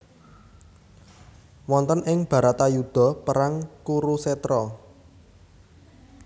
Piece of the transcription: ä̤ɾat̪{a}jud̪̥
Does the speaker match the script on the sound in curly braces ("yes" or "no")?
yes